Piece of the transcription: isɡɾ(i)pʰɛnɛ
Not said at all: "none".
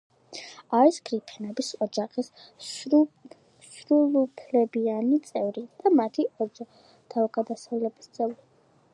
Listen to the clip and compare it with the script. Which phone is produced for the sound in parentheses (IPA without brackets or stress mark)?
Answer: i